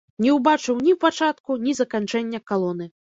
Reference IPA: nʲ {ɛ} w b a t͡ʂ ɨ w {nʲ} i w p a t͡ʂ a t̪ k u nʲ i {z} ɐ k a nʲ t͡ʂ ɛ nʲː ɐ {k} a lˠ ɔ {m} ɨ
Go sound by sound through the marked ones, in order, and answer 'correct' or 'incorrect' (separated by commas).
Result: correct, correct, correct, correct, incorrect